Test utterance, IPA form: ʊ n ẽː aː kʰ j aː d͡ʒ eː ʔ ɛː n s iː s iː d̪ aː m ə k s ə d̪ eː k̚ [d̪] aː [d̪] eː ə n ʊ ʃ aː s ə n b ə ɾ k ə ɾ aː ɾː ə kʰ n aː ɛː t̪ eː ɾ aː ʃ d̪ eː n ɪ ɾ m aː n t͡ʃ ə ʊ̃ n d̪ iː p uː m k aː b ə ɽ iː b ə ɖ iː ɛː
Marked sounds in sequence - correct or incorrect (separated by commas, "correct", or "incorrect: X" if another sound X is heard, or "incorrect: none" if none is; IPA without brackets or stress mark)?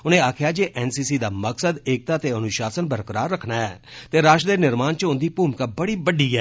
incorrect: t̪, incorrect: t̪